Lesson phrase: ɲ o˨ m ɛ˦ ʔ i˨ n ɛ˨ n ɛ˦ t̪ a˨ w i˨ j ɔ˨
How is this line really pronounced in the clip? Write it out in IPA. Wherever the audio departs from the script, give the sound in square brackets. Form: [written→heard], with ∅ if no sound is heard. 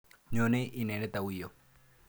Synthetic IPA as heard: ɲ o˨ [m→n] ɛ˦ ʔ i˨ n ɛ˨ n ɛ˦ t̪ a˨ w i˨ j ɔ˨